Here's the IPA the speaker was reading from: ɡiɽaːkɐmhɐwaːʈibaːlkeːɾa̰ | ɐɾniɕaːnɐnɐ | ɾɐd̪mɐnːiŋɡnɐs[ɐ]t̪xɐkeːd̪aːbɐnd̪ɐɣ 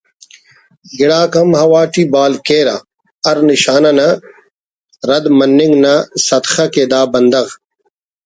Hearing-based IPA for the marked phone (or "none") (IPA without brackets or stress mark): ɐ